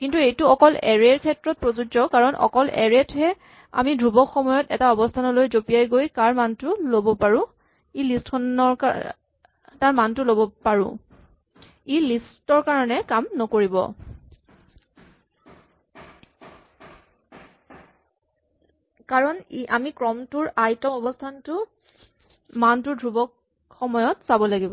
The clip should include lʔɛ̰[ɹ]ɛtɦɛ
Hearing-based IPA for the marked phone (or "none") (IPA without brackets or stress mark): ɹ